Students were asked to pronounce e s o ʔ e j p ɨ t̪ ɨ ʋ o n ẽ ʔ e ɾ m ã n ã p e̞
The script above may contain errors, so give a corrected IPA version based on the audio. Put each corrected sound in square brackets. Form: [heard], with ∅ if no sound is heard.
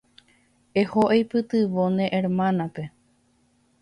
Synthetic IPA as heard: e [h] o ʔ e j p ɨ t̪ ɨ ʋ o n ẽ ʔ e ɾ m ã n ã p e̞